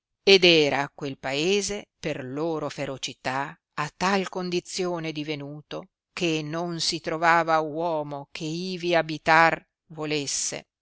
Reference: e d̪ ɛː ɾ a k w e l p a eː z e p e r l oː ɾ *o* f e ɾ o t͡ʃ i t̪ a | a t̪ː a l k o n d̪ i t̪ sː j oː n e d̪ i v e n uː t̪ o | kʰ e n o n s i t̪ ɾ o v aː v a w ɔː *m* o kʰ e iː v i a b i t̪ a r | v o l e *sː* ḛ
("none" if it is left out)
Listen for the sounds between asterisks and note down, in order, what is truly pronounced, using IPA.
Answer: o, m, sː

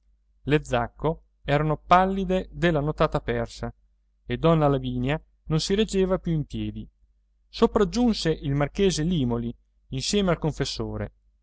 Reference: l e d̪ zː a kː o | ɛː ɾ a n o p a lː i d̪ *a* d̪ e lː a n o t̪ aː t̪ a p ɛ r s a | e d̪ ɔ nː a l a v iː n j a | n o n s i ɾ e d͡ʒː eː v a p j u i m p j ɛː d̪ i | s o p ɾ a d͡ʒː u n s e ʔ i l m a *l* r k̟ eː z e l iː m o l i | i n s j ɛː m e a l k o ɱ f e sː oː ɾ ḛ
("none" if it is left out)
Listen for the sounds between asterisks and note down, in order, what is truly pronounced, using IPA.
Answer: e, none

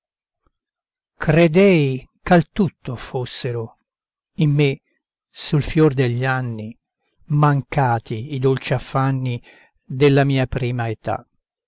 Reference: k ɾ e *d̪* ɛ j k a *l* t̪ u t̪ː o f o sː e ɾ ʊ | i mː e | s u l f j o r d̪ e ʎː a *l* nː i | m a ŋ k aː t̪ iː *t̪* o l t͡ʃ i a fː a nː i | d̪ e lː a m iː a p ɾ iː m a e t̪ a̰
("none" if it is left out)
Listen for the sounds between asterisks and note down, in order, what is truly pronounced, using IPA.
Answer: d̪, l, none, d̪

